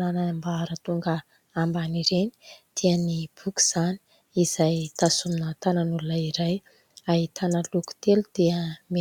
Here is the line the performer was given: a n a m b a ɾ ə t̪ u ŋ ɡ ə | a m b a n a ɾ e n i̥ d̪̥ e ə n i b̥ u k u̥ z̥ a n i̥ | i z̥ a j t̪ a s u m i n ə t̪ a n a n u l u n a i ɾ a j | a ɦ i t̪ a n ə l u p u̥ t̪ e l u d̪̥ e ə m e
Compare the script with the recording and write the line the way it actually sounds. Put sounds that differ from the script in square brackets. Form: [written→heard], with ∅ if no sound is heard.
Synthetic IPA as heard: a n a m b a ɾ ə t̪ u ŋ ɡ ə | a m b a n [a→i] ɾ e n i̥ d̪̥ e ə n i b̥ u k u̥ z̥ a n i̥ | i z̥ a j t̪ a s u m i n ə t̪ a n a n u l u n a i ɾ a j | a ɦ i t̪ a n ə l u [p→k] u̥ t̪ e l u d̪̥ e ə m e